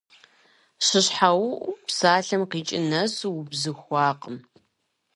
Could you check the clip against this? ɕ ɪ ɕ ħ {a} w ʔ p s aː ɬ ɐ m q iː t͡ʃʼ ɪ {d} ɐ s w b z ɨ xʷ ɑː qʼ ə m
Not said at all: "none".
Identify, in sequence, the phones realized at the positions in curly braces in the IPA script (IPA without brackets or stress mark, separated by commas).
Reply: a, n